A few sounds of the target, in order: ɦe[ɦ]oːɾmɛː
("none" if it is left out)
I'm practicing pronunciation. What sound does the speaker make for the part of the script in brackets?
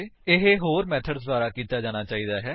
ɦ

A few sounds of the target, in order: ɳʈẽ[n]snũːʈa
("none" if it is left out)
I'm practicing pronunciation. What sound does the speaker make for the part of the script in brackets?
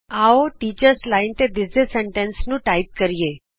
n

